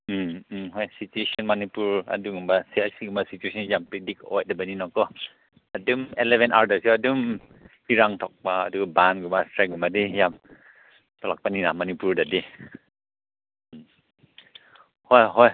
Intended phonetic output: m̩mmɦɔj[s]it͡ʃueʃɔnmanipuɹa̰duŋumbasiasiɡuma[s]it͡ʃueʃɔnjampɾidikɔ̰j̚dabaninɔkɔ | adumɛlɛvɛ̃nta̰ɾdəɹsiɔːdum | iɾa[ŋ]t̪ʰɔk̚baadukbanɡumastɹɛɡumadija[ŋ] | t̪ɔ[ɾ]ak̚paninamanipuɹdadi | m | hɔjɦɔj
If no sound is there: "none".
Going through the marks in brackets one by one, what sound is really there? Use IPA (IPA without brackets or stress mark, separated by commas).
s, s, ŋ, m, l